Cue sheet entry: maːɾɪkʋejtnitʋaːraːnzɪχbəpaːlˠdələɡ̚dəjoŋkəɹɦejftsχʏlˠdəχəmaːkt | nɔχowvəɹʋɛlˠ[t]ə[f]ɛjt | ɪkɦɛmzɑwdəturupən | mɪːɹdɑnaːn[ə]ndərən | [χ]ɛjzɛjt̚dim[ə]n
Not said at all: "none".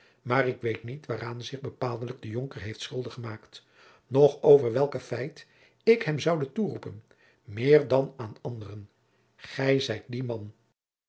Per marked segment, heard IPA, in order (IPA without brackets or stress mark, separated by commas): k, f, ɑ, χ, ɑ